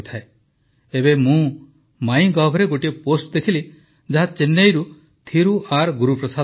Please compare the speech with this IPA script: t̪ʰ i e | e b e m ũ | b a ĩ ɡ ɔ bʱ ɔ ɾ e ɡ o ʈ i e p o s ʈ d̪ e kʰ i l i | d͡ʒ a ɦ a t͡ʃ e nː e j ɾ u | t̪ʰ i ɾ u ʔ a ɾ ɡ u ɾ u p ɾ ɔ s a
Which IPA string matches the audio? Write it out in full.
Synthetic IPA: t̪ʰ a e | e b e m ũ | m a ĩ ɡ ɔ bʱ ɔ ɾ e ɡ o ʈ i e p o s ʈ d̪ e kʰ i l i | d͡ʒ a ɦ a t͡ʃ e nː e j ɾ u | t̪ʰ i ɾ u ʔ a ɾ ɡ u ɾ u p ɾ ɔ s a